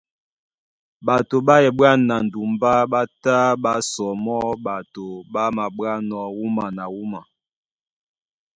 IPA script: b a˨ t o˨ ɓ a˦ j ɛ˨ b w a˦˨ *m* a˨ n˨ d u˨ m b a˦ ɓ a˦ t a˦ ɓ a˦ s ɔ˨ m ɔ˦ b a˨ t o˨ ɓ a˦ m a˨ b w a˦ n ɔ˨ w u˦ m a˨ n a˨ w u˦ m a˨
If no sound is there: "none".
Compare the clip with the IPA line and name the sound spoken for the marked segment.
n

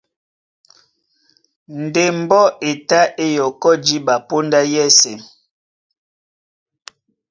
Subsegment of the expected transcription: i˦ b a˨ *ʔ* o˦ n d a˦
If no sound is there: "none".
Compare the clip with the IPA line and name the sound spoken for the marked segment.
p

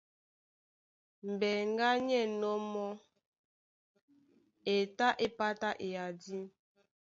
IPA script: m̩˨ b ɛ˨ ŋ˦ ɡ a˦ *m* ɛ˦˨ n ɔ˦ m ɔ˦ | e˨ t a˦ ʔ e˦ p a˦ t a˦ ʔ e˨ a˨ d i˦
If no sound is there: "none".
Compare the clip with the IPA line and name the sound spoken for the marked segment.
ɲ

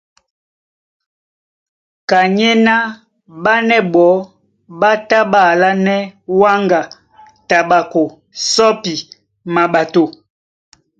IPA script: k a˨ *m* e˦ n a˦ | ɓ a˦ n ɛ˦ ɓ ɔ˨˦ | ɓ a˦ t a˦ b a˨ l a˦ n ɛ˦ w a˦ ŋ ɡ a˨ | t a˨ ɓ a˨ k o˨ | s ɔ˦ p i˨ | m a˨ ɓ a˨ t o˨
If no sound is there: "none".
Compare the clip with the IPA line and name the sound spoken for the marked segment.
ɲ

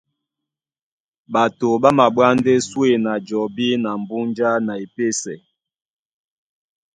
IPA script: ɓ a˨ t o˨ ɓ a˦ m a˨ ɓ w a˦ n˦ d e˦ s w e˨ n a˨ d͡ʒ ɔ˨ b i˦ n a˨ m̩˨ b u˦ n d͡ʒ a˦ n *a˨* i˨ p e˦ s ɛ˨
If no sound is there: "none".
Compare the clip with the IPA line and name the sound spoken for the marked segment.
a˨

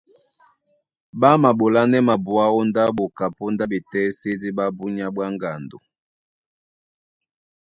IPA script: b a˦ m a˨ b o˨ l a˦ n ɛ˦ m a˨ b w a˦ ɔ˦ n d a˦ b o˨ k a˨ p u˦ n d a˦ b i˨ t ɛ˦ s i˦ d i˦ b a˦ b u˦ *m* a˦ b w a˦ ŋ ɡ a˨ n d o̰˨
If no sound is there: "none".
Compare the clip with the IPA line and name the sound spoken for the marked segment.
ɲ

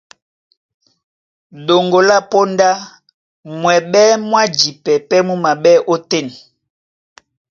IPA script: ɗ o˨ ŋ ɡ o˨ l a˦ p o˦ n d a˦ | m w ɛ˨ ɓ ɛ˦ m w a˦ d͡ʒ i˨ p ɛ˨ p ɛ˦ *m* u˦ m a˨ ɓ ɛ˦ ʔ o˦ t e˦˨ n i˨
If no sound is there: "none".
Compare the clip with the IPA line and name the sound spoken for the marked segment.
m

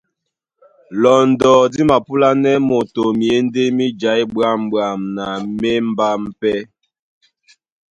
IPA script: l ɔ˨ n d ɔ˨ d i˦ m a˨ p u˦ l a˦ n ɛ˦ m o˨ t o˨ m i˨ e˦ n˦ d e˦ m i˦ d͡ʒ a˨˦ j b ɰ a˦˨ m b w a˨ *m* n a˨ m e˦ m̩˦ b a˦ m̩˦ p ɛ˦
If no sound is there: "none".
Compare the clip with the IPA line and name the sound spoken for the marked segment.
m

